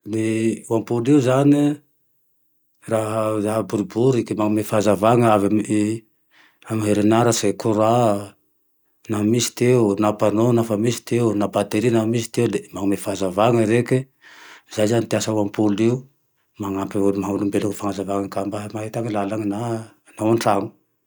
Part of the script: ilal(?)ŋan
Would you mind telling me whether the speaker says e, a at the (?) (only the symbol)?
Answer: a